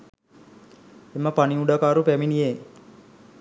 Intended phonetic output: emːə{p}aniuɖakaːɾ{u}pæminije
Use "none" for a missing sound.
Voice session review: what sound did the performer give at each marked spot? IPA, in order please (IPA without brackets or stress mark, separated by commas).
p, u